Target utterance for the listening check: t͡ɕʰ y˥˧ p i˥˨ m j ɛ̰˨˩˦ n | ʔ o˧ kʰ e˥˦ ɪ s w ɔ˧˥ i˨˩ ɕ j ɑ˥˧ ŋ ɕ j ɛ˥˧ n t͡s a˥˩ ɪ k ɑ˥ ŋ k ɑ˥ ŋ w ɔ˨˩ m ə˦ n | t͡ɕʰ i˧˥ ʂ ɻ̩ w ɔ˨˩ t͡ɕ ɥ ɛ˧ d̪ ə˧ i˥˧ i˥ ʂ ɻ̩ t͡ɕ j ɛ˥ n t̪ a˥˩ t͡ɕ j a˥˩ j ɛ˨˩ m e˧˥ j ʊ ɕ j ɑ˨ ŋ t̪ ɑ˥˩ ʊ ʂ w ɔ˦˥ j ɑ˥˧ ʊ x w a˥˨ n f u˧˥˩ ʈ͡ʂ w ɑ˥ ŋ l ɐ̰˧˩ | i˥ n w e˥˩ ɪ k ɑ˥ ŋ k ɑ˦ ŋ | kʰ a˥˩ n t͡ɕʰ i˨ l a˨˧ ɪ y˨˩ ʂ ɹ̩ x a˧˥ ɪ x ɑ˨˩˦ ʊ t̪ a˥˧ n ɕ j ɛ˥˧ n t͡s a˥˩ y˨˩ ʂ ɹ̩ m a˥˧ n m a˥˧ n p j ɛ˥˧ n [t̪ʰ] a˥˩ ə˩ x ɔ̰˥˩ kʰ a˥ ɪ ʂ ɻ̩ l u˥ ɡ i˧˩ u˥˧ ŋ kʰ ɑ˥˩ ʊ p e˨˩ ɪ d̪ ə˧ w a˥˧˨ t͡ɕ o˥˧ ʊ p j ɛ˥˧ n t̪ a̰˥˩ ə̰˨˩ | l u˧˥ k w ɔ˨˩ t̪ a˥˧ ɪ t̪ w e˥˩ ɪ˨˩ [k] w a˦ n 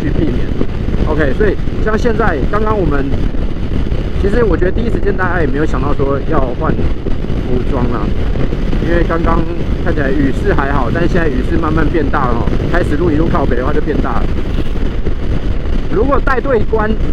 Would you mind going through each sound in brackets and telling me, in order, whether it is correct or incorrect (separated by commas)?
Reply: incorrect, correct